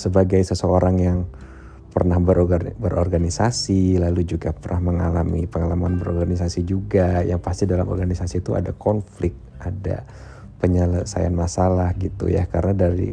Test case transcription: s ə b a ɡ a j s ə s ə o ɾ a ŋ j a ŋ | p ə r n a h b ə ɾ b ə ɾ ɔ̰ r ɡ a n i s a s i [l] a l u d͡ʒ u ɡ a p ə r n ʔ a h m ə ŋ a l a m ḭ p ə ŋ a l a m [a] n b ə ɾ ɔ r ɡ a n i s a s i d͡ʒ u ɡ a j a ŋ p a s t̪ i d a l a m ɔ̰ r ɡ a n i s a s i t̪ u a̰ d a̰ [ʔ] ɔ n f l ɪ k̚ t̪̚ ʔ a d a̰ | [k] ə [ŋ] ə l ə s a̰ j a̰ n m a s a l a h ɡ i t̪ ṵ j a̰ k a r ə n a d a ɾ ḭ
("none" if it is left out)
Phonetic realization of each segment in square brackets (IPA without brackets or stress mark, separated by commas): l, a, k, p, ɲ